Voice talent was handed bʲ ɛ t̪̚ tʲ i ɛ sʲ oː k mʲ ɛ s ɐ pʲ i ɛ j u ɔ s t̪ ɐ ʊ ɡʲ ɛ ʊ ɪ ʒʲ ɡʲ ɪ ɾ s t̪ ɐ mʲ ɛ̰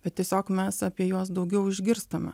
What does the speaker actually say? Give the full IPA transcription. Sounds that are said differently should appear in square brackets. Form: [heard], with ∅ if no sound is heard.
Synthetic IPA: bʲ ɛ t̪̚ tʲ i ɛ sʲ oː k mʲ ɛ s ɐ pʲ i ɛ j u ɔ s [d̪] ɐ ʊ ɡʲ ɛ ʊ ɪ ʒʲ ɡʲ ɪ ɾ s t̪ ɐ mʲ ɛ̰

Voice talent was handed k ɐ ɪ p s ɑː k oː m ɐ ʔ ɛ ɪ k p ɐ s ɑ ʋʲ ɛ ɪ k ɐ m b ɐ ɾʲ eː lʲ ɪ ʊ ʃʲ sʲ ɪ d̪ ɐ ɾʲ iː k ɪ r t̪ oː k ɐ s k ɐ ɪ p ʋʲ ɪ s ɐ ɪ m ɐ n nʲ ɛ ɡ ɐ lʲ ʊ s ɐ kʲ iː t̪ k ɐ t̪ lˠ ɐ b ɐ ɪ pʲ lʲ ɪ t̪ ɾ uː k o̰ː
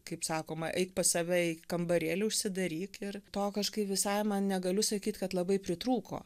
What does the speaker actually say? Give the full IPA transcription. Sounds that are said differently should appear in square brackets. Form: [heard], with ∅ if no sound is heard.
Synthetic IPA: k ɐ ɪ p s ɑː k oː m ɐ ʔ ɛ ɪ k p ɐ s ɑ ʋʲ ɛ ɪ k ɐ m b ɐ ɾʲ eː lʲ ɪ ʊ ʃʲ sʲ ɪ d̪ ɐ ɾʲ iː k ɪ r t̪ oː k ɐ [ʃ] k ɐ ɪ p ʋʲ ɪ s ɐ ɪ m ɐ n nʲ ɛ ɡ ɐ lʲ ʊ s ɐ kʲ iː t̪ k ɐ t̪ lˠ ɐ b ɐ ɪ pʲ [ɾʲ] ɪ t̪ ɾ uː k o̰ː

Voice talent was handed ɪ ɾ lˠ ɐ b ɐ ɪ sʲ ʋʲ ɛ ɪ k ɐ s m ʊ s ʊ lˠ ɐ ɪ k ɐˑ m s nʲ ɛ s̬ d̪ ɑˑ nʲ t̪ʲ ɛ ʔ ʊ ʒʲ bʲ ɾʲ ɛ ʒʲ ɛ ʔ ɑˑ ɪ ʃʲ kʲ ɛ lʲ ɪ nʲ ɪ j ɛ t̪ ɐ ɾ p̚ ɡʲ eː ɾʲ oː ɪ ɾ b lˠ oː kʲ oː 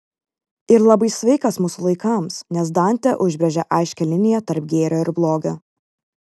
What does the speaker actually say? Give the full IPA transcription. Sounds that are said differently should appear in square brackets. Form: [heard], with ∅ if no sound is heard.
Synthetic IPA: ɪ ɾ lˠ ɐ b ɐ ɪ sʲ ʋʲ ɛ ɪ k ɐ s m ʊ s ʊ lˠ ɐ ɪ k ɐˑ m s nʲ ɛ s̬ d̪ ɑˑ nʲ t̪ʲ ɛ ʔ ʊ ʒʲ bʲ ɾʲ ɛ ʒʲ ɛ ʔ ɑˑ ɪ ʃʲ kʲ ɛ lʲ ɪ nʲ ɪ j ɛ t̪ ɐ ɾ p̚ ɡʲ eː ɾʲ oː ɪ ɾ b lˠ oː [ɡʲ] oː

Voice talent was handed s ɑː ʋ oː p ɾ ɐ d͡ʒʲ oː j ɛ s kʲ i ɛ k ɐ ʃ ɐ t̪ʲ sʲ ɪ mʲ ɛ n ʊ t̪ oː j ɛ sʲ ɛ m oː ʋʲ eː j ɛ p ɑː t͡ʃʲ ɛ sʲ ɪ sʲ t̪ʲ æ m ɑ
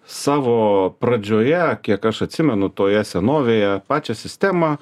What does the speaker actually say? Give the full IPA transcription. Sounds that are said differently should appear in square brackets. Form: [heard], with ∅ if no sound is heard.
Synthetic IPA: s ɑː ʋ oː p ɾ ɐ d͡ʒʲ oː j ɛ [∅] kʲ i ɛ k ɐ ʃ ɐ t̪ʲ sʲ ɪ mʲ ɛ n ʊ t̪ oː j ɛ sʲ ɛ [n] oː ʋʲ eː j ɛ p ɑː t͡ʃʲ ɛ sʲ ɪ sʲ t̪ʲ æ m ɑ

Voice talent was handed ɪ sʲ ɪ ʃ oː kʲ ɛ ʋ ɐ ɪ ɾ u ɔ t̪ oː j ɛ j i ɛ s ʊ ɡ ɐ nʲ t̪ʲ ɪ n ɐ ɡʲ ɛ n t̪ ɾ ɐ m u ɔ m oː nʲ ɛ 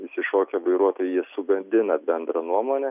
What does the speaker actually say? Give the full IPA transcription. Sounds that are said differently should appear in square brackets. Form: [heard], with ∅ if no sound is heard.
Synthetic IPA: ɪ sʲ ɪ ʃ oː kʲ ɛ ʋ ɐ ɪ ɾ u ɔ t̪ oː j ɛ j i ɛ s ʊ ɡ ɐ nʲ [d̪ʲ] ɪ n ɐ [bʲ] ɛ n [d̪] ɾ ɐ [n] u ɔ m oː nʲ ɛ

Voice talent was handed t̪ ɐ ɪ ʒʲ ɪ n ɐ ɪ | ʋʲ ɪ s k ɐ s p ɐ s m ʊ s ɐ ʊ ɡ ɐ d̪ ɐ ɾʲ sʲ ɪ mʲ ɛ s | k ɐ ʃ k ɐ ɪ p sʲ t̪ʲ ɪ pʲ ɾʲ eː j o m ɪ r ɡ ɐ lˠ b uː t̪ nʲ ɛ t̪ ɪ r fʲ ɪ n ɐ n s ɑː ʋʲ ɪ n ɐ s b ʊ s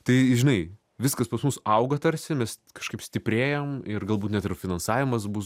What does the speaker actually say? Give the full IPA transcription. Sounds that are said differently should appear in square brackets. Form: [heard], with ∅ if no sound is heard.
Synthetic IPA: t̪ ɐ ɪ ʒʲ ɪ n ɐ ɪ | ʋʲ ɪ s k ɐ s p ɐ s m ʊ s ɐ ʊ ɡ ɐ [t̪] ɐ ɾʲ sʲ ɪ mʲ ɛ s | k ɐ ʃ k ɐ ɪ p sʲ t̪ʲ ɪ pʲ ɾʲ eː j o m ɪ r ɡ ɐ lˠ b uː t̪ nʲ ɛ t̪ ɪ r fʲ ɪ n ɐ n s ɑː ʋʲ ɪ [m] ɐ s b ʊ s

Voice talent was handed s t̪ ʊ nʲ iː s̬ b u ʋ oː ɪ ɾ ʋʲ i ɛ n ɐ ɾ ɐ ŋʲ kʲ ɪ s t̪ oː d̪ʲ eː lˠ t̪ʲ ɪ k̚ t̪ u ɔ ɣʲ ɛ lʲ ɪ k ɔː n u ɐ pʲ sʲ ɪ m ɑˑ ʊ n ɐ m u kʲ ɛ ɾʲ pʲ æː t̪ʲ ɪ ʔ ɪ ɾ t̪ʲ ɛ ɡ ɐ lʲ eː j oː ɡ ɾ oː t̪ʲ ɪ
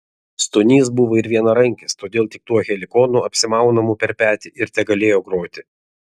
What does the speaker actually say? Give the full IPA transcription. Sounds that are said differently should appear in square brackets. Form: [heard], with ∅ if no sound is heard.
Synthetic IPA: s t̪ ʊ nʲ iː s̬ b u ʋ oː ɪ ɾ ʋʲ i ɛ n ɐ ɾ ɐ ŋʲ kʲ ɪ s t̪ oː d̪ʲ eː lˠ t̪ʲ ɪ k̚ t̪ u ɔ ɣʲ ɛ lʲ ɪ k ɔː n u ɐ pʲ sʲ ɪ m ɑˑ ʊ n ɐ m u [pʲ] ɛ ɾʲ pʲ æː t̪ʲ ɪ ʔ ɪ ɾ t̪ʲ ɛ ɡ ɐ lʲ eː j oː ɡ ɾ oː t̪ʲ ɪ

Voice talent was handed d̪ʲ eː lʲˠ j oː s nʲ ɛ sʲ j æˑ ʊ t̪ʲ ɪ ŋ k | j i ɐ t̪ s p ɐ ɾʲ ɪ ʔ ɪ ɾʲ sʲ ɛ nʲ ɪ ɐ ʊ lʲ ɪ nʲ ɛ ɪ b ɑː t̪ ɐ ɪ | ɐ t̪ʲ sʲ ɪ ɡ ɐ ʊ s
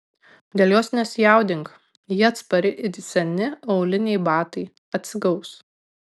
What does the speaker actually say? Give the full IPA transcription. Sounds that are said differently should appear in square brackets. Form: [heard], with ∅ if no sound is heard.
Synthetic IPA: d̪ʲ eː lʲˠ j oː s nʲ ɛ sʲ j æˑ ʊ [d̪ʲ] ɪ ŋ k | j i ɐ t̪ s p ɐ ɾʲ ɪ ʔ ɪ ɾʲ sʲ ɛ nʲ ɪ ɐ ʊ lʲ ɪ nʲ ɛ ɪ b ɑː t̪ ɐ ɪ | ɐ t̪ʲ sʲ ɪ ɡ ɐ ʊ s

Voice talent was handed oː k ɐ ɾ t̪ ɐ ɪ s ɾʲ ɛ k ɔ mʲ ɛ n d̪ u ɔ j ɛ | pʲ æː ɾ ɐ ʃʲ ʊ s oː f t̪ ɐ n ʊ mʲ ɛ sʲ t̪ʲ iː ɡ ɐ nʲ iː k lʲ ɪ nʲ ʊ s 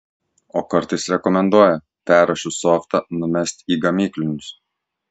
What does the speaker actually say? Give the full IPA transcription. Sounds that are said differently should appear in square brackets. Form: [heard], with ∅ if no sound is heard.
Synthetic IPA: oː k ɐ ɾ t̪ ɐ ɪ s ɾʲ ɛ k ɔ mʲ ɛ n d̪ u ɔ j ɛ | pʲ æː ɾ ɐ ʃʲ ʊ s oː f t̪ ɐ n ʊ mʲ ɛ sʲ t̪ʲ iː ɡ ɐ [mʲ] iː k lʲ ɪ nʲ ʊ s

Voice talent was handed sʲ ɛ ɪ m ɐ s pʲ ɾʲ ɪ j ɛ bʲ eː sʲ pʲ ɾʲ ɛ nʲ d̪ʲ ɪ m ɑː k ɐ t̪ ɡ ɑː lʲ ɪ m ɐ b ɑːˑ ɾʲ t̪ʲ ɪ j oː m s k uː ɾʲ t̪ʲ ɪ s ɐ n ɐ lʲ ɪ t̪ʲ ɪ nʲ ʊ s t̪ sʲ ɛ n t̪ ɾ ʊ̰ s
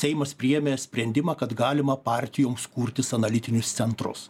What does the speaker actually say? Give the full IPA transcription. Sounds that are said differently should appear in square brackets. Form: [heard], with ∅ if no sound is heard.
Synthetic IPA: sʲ ɛ ɪ m ɐ s pʲ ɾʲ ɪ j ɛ [mʲ] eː sʲ pʲ ɾʲ ɛ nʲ d̪ʲ ɪ m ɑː k ɐ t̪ ɡ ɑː lʲ ɪ m ɐ [p] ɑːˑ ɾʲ t̪ʲ ɪ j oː m s k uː ɾʲ t̪ʲ ɪ s ɐ n ɐ lʲ ɪ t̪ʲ ɪ nʲ ʊ s t̪ sʲ ɛ n t̪ ɾ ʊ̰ s

